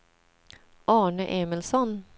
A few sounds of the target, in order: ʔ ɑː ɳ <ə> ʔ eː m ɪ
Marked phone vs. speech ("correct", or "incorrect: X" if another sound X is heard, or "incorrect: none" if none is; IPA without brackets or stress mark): correct